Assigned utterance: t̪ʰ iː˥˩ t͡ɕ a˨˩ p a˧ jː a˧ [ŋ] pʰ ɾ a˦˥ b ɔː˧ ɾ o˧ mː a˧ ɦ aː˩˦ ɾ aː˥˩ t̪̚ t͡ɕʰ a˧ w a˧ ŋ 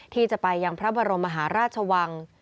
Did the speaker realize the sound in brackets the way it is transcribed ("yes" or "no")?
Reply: yes